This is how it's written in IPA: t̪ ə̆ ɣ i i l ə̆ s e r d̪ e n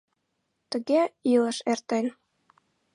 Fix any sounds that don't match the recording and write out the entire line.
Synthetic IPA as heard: t̪ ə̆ ɣ e i l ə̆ ʃ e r t̪ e n